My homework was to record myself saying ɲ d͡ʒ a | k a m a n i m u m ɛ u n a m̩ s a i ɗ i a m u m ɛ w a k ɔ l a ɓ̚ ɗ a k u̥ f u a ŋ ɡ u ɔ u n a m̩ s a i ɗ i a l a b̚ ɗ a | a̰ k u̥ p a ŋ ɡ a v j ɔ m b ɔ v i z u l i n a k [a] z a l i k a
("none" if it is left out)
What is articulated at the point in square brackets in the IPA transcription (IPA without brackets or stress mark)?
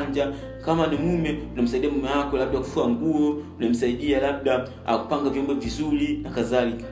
a